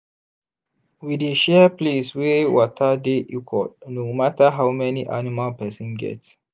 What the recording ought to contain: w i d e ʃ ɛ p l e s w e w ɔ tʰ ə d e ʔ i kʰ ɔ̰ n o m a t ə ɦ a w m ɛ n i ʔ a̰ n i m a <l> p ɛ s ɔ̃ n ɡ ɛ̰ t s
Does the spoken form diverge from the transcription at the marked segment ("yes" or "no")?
no